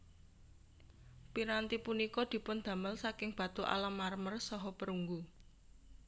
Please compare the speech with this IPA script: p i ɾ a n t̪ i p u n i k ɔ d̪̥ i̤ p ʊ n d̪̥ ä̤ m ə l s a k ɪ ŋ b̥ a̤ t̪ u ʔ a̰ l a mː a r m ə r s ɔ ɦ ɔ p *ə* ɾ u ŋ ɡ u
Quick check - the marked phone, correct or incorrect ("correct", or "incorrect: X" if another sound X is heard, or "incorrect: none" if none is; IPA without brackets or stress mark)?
correct